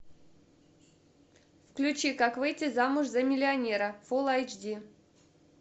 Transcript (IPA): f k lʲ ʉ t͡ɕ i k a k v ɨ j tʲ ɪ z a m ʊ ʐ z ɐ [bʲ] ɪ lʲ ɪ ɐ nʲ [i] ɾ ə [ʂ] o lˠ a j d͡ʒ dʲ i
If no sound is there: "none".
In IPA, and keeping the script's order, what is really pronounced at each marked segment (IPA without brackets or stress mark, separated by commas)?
mʲ, e, f